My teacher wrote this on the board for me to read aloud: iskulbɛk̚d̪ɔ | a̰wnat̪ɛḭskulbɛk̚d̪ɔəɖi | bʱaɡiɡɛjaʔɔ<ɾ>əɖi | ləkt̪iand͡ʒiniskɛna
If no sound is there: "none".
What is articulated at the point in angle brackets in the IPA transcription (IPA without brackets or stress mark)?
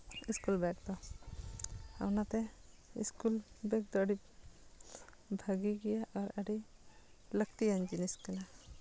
ɾ